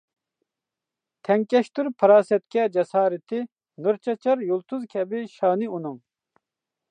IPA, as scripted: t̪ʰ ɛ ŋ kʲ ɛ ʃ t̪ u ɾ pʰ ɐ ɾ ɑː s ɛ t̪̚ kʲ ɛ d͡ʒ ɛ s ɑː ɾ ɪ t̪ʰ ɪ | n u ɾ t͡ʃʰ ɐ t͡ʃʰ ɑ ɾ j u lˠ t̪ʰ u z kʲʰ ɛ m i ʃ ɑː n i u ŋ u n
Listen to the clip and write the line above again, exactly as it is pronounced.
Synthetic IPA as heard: t̪ʰ ɛ ŋ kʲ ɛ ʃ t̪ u ɾ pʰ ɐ ɾ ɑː s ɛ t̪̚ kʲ ɛ d͡ʒ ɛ s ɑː ɾ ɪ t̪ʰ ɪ | n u ɾ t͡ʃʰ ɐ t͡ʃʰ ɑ ɾ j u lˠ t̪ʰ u z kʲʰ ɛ b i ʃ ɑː n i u n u ŋ